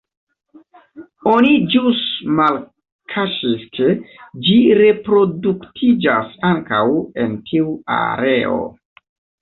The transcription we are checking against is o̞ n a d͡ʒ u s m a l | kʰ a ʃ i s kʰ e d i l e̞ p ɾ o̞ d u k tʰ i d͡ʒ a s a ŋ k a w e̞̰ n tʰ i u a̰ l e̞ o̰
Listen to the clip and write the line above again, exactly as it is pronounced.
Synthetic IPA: o̞ n i d͡ʒ u s m a l | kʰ a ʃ i s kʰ e d͡ʒ i ɾ e̞ p ɾ o̞ d u k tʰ i d͡ʒ a s a ŋ k a w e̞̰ n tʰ i u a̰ ɾ e̞ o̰